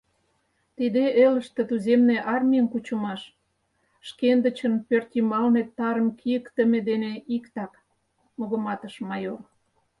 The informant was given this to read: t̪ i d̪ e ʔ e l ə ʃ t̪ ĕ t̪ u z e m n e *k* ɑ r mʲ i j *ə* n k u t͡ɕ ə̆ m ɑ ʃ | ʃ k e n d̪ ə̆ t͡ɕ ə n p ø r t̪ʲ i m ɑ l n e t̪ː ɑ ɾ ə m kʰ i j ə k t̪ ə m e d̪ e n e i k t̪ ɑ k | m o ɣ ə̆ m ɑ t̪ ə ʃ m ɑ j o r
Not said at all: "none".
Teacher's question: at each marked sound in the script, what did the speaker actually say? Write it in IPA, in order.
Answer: ʔ, ə

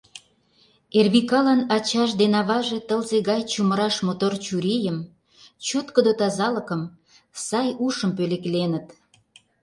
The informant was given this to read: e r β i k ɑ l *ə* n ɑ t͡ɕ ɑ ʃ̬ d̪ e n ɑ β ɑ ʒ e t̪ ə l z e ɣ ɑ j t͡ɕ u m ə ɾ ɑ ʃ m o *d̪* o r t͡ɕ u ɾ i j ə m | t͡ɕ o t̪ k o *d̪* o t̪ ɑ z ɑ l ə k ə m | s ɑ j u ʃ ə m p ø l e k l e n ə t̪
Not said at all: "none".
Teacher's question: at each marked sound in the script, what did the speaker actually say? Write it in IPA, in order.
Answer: ɑ, t̪, d̪

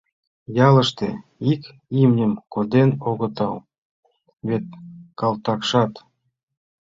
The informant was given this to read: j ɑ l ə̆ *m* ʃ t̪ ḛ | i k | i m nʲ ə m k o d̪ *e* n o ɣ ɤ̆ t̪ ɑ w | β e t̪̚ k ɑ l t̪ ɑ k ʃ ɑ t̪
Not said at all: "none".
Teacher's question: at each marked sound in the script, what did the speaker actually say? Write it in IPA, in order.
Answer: none, e

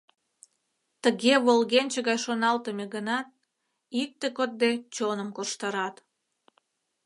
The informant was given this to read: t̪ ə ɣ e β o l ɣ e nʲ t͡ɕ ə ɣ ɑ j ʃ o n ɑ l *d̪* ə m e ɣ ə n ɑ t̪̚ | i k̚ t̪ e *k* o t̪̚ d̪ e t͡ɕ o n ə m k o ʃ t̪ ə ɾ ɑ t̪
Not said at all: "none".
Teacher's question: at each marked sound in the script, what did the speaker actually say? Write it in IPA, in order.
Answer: t̪, k

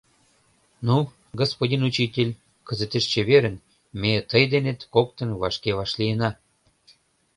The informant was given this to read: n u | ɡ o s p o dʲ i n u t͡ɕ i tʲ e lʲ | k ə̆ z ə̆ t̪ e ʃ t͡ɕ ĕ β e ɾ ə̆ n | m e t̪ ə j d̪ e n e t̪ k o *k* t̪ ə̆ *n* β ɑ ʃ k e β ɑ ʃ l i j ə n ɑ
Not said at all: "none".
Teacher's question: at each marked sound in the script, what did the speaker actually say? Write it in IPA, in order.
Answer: k, n

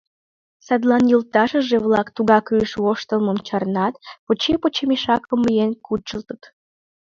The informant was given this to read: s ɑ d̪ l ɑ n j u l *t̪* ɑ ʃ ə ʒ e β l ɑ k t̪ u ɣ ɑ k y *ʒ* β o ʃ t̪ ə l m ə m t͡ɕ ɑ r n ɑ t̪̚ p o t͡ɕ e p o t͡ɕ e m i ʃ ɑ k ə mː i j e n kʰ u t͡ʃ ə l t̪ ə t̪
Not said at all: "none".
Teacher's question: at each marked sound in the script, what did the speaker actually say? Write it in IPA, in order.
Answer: t̪, ʃ

